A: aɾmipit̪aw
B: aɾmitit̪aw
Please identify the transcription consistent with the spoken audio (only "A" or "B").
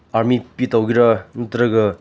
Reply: A